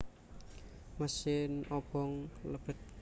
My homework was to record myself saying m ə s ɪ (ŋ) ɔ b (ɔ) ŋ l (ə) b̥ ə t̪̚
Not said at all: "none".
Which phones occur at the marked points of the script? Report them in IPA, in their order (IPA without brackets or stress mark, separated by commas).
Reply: n, ɔ, ə